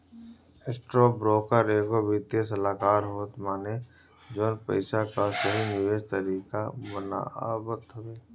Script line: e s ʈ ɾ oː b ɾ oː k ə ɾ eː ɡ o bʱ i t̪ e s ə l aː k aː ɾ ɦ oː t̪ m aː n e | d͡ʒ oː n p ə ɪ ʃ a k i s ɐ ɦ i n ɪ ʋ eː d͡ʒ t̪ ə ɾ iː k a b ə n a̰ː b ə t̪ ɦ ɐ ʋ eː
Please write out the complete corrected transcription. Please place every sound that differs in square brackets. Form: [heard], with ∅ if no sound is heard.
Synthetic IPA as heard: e s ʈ ɾ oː b ɾ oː k ə ɾ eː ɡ o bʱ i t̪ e s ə l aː k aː ɾ ɦ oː t̪ m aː n e | d͡ʒ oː n p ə ɪ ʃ a k [a] s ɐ ɦ i n ɪ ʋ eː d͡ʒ t̪ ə ɾ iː k a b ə n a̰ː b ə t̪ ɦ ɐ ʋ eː